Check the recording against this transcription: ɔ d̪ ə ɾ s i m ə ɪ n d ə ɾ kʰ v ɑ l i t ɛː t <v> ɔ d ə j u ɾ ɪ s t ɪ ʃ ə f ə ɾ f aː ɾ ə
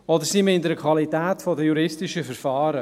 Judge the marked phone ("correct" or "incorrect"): incorrect